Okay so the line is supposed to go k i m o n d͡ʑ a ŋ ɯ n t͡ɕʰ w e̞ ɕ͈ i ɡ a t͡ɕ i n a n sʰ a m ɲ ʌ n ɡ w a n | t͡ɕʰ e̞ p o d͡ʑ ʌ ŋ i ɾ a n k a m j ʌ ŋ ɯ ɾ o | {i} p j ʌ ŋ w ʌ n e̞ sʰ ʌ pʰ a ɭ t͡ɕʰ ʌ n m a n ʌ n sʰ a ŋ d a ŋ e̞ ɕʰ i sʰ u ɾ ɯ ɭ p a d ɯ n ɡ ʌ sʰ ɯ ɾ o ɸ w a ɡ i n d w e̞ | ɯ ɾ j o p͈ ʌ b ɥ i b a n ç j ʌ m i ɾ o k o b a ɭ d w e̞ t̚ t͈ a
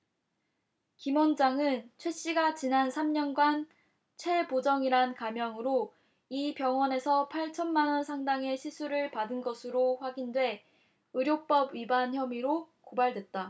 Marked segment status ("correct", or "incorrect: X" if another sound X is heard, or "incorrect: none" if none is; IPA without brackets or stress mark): correct